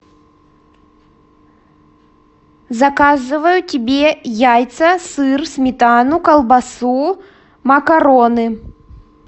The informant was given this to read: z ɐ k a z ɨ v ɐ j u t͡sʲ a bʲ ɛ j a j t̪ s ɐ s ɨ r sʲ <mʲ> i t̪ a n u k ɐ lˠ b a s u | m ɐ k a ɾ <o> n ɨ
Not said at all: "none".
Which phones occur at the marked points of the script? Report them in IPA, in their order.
mʲ, ɔ

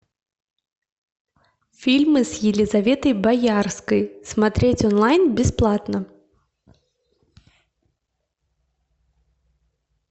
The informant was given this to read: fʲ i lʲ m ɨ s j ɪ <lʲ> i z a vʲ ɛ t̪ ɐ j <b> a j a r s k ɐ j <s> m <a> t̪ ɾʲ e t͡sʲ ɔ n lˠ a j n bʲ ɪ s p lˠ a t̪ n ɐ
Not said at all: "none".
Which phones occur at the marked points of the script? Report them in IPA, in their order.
lʲ, b, s, a

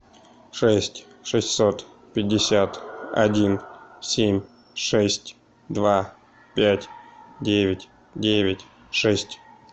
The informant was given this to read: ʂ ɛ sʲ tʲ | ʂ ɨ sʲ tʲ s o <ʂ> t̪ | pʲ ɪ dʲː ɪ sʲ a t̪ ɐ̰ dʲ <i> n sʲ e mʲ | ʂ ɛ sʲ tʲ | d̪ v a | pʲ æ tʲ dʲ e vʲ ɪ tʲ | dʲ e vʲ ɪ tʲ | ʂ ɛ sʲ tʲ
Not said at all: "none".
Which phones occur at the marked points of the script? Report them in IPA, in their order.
none, i

